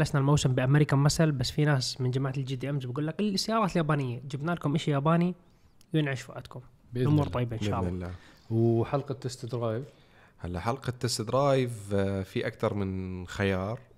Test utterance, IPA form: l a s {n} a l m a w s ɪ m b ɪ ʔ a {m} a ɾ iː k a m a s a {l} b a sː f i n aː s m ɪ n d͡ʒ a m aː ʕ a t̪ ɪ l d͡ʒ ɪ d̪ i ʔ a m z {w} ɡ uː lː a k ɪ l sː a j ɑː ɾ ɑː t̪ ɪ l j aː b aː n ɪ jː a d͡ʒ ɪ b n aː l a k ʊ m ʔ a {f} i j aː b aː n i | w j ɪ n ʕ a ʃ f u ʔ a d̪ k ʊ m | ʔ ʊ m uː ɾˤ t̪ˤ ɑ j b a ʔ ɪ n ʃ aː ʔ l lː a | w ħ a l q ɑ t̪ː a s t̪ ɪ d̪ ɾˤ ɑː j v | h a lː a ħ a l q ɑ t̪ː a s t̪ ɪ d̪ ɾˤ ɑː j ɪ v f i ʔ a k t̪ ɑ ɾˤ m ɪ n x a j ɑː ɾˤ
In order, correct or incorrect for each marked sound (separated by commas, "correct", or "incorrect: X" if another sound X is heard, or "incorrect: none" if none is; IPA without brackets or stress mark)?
correct, correct, correct, incorrect: b, incorrect: ʃ